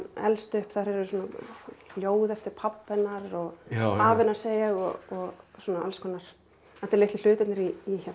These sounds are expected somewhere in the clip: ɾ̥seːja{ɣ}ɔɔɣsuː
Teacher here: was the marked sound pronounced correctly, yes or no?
yes